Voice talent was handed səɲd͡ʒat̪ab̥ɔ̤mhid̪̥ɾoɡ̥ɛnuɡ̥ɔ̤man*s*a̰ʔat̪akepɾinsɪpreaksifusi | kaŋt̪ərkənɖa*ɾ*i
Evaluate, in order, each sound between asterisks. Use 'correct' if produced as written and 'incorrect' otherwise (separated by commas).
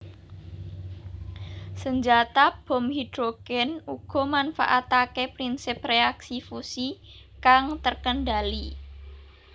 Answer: incorrect, incorrect